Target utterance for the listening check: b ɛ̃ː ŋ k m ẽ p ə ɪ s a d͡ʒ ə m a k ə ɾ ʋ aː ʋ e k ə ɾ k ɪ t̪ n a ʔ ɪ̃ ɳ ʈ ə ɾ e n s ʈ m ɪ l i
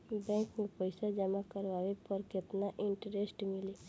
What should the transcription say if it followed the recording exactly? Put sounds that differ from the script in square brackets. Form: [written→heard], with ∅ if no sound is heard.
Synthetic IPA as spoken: b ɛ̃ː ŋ k m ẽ p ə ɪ s a d͡ʒ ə m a k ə ɾ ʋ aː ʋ e [k→p] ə ɾ k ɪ t̪ n a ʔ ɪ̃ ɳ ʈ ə ɾ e [n→∅] s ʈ m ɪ l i